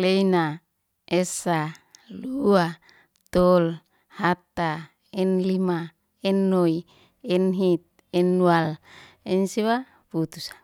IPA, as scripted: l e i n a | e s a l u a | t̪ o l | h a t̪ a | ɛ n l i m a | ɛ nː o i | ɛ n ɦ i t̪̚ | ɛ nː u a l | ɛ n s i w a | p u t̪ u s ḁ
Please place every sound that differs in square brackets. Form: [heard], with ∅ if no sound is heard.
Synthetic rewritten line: l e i n a | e s a l u a | t̪ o l | h a t̪ a | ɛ n l i m a | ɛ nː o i | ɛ n ɦ i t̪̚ | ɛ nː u a l | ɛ n s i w a | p u t̪ u s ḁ